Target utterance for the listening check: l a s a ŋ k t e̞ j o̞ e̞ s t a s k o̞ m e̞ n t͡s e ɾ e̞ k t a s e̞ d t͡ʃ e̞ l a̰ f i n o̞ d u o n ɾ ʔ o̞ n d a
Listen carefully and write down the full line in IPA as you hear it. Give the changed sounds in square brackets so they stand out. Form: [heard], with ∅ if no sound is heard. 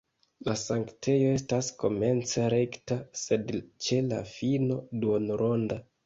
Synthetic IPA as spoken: l a s a ŋ k t e̞ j o̞ e̞ s t a s k o̞ m e̞ n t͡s e ɾ e̞ k t a s e̞ d t͡ʃ e̞ l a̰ f i n o̞ d u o n ɾ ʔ o̞ n d a